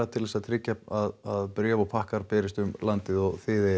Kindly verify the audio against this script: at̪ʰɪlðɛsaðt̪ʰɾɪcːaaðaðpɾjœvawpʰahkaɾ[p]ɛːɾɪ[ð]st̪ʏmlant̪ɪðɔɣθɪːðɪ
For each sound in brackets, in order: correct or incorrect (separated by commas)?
correct, incorrect